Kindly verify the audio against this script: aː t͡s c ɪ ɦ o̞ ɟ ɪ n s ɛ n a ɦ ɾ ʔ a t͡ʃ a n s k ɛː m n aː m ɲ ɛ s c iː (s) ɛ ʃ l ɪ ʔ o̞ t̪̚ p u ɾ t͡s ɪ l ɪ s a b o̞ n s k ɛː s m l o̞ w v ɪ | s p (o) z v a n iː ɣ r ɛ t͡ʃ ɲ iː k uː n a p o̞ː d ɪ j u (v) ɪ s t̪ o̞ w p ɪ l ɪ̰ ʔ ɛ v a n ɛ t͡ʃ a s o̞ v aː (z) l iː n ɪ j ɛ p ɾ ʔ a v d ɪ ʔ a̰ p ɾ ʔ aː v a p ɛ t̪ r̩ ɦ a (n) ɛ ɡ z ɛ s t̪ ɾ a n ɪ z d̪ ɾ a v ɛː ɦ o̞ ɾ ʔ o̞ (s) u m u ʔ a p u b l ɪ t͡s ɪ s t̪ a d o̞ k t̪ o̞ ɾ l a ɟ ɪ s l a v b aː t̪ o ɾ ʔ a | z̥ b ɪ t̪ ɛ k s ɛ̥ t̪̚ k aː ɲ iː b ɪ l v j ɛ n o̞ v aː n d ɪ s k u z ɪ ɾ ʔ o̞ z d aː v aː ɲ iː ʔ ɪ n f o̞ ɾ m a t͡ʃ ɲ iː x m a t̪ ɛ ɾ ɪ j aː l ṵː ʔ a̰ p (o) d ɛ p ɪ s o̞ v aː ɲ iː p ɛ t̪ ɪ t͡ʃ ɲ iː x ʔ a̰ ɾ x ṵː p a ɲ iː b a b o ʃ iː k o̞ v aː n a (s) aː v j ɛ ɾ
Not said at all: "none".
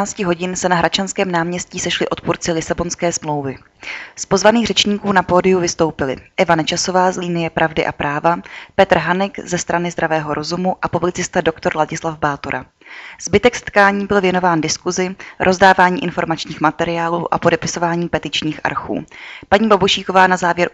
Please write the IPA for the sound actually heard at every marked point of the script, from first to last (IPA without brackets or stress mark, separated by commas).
s, o, v, z, n, z, o, z